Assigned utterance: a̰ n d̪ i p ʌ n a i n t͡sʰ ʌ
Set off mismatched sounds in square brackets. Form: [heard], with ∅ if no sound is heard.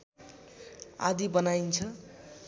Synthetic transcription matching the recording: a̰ [∅] d̪ i [b] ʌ n a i n t͡sʰ ʌ